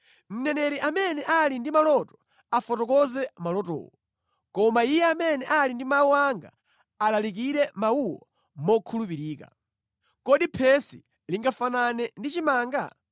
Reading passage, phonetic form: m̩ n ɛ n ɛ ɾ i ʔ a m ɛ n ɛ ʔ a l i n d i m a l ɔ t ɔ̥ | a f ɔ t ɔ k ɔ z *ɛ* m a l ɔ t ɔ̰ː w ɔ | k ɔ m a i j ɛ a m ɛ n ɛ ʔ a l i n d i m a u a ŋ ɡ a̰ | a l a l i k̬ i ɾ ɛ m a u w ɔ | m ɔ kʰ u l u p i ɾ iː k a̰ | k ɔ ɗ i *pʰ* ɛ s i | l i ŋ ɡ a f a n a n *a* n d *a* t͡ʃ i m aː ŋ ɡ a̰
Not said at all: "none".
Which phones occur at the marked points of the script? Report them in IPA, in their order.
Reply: ɛ, pʰ, ɛ, i

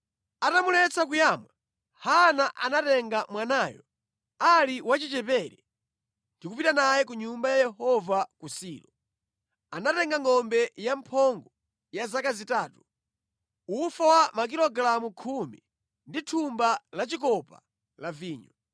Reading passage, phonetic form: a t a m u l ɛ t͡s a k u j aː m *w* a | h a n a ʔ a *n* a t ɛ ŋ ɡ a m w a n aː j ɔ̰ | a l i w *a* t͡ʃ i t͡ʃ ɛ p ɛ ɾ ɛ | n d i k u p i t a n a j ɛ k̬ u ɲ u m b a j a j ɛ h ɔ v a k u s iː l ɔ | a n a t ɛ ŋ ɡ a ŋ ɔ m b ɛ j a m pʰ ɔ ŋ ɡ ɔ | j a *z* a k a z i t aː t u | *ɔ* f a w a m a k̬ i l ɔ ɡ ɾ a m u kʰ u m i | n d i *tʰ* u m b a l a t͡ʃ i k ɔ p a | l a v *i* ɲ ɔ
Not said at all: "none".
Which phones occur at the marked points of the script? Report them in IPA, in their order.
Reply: w, n, a, z, u, tʰ, iː

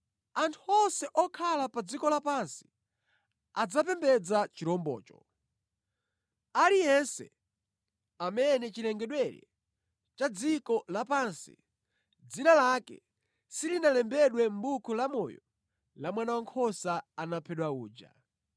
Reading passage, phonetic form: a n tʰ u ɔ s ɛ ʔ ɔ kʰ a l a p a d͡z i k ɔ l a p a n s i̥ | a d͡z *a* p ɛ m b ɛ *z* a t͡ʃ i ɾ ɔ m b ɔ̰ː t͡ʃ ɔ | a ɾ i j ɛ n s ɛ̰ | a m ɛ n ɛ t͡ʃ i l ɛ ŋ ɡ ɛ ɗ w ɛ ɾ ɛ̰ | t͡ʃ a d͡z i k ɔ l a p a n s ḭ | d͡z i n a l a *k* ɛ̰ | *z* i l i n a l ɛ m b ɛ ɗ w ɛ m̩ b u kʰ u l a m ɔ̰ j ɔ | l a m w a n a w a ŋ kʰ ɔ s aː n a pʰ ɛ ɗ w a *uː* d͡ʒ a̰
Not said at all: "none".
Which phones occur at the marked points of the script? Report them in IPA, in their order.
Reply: a, d͡z, k, s, uː

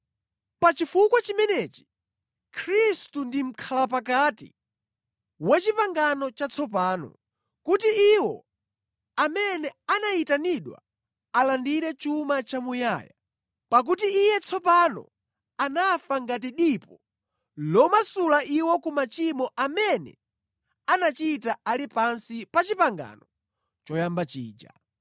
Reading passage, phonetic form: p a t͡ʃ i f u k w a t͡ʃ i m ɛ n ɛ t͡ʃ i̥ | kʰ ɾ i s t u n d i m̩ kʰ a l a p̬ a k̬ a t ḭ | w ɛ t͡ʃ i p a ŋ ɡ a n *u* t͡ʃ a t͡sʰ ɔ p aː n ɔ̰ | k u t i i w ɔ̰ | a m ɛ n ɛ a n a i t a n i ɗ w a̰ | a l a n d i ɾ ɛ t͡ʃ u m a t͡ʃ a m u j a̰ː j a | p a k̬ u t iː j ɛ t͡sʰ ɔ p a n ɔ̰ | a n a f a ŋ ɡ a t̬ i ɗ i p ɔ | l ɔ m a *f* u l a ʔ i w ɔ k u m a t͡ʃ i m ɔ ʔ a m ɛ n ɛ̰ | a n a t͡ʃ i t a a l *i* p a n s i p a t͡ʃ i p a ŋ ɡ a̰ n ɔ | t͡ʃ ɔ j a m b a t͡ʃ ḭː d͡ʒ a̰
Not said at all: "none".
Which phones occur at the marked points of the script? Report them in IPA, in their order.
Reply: ɔ, s, i

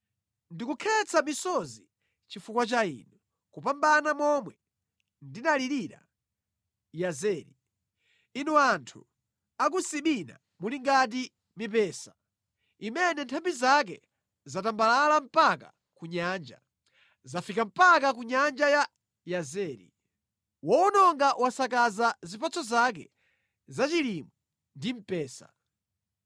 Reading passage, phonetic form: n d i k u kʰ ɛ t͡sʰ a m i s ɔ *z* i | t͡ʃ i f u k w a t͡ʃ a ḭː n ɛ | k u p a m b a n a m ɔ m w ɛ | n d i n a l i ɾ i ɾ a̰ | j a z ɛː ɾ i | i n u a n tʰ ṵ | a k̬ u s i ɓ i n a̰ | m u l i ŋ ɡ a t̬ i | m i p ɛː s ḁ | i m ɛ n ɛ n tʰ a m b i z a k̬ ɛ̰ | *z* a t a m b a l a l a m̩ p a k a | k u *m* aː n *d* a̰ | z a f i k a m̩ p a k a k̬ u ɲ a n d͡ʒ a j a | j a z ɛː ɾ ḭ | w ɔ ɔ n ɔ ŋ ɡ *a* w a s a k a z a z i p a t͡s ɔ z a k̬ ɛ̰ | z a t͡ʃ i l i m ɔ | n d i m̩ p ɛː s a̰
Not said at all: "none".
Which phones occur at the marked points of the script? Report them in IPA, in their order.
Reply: z, z, ɲ, d͡ʒ, a

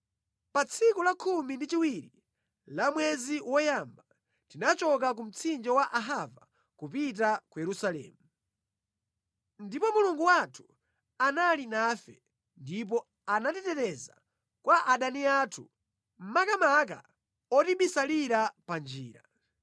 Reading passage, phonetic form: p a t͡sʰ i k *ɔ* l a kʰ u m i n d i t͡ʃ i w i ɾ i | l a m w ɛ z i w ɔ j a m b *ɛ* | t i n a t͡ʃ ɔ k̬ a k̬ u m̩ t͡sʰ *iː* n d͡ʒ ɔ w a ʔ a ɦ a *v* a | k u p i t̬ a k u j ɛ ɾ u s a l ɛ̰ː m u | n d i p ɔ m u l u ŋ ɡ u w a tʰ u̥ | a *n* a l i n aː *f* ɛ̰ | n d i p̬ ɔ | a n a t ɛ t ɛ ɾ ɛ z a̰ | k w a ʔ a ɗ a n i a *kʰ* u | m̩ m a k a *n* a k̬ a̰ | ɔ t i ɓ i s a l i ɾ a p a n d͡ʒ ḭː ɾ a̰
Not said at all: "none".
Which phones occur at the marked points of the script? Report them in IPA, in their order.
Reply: u, a, i, v, n, f, tʰ, m

